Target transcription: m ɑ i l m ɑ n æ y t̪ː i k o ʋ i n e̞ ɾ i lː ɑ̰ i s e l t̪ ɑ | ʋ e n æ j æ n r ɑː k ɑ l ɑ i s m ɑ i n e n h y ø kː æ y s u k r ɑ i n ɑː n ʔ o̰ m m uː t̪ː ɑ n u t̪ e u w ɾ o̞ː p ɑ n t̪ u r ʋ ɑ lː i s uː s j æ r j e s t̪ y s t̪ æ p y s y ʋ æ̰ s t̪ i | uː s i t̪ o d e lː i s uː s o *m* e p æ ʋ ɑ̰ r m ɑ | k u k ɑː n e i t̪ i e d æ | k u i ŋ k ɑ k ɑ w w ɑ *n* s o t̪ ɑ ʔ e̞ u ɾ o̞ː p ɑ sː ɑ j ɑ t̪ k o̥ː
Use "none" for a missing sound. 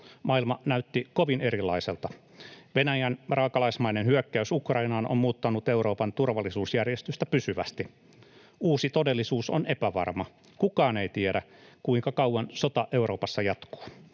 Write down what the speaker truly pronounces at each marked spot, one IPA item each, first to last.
n, n

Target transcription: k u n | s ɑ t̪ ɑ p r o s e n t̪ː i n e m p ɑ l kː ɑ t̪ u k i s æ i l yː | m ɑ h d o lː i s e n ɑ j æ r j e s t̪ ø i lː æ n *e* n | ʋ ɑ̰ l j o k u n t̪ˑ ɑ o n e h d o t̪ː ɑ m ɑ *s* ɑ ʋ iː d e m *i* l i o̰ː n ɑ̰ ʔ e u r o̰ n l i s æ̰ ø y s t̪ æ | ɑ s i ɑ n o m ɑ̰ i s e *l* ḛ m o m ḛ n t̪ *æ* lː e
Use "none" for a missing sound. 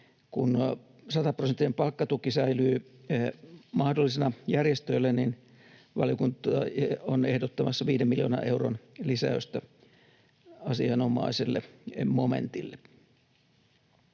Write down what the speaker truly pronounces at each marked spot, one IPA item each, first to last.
i, sː, i, lː, i

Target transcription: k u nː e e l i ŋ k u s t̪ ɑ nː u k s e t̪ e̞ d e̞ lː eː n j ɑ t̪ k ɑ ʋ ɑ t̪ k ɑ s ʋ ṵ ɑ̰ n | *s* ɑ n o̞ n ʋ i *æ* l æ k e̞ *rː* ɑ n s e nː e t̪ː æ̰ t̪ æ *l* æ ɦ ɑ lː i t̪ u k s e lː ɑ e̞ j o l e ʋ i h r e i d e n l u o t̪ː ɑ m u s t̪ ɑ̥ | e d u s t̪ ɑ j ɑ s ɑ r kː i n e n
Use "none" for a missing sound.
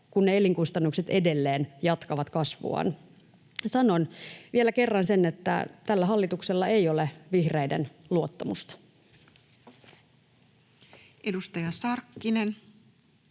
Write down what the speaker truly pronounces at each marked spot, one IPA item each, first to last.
s, e, rː, lː

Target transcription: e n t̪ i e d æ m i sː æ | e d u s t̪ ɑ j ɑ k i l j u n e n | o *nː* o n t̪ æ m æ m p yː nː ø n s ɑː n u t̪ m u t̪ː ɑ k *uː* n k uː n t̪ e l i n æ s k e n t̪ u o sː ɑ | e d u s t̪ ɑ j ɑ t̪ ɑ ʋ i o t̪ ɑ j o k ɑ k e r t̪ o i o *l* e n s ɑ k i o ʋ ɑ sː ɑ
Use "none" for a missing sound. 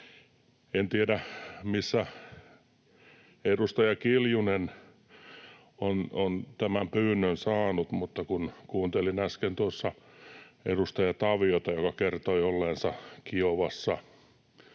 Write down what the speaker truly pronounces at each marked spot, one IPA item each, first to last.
n, u, lː

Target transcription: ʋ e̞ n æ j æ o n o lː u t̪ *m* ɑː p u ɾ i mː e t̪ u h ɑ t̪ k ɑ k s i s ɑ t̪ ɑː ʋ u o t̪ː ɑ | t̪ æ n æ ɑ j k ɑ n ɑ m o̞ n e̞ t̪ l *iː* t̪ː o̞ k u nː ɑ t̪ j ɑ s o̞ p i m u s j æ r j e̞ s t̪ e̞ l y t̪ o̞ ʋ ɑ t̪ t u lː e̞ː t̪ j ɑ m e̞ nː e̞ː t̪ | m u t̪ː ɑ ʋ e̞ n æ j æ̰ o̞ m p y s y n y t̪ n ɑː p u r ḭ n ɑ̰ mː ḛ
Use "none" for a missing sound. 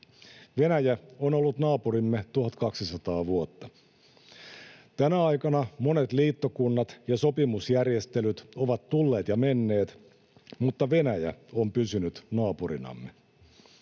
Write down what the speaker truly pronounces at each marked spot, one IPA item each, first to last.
n, iː

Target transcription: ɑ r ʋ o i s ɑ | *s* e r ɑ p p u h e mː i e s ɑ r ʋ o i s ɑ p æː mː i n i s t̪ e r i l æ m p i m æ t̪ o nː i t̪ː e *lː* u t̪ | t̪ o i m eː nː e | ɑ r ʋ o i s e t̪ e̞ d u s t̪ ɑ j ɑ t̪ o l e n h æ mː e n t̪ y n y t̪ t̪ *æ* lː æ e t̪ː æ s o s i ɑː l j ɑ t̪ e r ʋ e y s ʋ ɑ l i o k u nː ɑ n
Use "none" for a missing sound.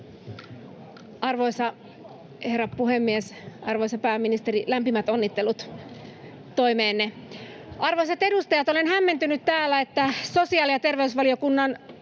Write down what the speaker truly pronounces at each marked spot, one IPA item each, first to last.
h, l, æː

